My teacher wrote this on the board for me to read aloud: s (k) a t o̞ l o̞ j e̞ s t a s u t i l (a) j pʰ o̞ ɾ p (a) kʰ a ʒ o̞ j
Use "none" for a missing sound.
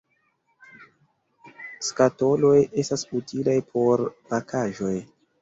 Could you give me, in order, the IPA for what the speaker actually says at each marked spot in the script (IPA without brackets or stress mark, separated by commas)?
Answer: k, a, a